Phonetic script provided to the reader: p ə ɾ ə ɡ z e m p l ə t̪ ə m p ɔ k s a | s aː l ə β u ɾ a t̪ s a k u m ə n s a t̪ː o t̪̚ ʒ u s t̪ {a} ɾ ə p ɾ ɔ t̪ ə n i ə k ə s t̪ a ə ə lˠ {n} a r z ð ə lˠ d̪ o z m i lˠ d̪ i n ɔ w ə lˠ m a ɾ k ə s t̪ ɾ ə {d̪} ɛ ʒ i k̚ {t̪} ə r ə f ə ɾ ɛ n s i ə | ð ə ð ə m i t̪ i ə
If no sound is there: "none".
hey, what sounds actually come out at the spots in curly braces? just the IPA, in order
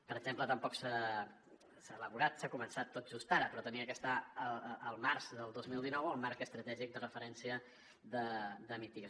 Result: a, m, t̪, d̪

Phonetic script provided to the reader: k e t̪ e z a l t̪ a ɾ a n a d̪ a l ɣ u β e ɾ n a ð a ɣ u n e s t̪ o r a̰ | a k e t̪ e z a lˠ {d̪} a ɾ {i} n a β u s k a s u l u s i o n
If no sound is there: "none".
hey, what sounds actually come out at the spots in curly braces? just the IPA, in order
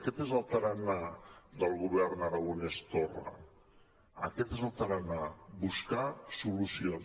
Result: t̪, a

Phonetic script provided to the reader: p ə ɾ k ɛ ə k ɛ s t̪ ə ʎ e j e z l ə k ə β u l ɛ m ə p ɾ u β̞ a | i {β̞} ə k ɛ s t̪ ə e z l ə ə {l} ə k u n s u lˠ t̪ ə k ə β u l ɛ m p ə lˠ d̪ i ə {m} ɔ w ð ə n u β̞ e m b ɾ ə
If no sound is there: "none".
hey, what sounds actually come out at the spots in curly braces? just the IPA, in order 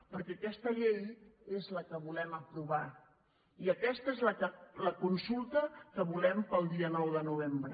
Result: none, l, n

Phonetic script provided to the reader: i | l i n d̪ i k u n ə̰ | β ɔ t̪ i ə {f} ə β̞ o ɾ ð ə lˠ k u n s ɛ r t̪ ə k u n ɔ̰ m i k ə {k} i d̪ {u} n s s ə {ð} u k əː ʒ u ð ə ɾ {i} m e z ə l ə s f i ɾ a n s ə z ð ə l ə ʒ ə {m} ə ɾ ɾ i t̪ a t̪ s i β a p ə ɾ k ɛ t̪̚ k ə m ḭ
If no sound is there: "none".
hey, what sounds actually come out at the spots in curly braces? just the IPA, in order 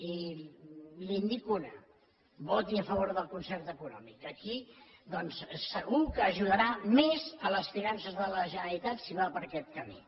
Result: f, k, ɔ, ɣ, a, n

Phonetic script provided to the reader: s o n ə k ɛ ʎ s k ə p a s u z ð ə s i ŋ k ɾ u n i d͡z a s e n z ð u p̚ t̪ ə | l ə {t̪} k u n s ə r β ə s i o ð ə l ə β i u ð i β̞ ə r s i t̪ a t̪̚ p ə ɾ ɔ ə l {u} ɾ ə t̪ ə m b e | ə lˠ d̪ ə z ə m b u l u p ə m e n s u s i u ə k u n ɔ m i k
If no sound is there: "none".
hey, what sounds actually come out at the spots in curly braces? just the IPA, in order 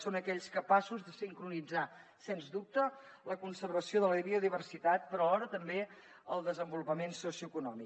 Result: none, ɔ

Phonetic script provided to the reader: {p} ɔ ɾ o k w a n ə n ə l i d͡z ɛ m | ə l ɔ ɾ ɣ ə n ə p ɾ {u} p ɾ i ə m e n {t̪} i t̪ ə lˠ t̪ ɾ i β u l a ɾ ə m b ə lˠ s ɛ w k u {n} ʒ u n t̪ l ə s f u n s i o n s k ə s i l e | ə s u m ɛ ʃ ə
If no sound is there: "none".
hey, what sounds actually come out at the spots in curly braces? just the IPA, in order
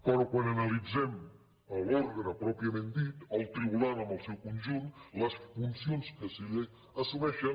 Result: k, ɔ, d̪, n

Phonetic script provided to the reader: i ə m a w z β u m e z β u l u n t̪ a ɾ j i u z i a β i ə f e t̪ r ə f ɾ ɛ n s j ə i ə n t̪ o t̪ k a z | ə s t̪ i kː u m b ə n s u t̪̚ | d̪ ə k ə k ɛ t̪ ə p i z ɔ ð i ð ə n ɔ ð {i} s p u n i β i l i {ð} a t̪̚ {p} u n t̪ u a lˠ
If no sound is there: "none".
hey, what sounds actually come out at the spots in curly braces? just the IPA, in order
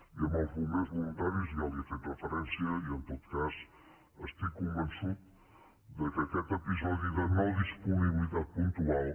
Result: i, ð, p

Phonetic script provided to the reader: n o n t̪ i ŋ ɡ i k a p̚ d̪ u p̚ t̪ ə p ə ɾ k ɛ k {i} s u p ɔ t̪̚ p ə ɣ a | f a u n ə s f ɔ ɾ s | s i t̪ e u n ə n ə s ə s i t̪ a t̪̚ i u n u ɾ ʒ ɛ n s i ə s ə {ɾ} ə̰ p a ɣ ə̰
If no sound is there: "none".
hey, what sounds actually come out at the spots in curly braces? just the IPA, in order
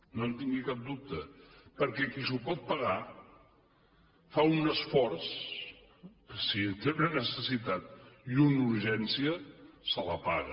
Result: i, l

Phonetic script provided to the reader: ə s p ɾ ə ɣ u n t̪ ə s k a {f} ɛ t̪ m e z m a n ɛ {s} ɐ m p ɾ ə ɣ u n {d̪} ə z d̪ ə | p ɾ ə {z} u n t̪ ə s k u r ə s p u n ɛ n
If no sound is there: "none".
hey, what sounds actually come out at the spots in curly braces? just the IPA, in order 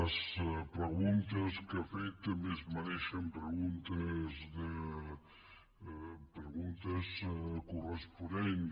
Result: f, ʃ, t̪, ɣ

